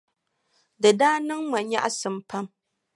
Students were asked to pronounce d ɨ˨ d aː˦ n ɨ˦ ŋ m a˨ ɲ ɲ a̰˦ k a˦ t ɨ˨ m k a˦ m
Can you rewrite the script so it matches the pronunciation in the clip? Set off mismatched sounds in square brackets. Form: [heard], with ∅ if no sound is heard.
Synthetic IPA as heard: d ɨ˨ d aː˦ n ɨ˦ ŋ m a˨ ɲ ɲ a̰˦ [ʔ] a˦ [s] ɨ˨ m [p] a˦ m